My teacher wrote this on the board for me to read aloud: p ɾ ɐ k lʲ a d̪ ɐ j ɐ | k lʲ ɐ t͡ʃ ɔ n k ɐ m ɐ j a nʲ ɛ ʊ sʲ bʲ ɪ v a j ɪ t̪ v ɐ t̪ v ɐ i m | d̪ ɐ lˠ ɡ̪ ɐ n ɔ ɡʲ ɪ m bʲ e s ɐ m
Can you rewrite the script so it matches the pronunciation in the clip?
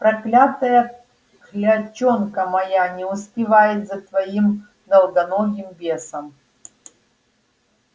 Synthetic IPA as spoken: p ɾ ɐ k lʲ a t̪ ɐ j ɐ | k lʲ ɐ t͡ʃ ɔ n k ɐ m ɐ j a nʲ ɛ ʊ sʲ pʲ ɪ v a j ɪ t̪ z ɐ t̪ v ɐ i m | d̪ ɐ lˠ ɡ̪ ɐ n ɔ ɡʲ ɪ m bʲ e s ɐ m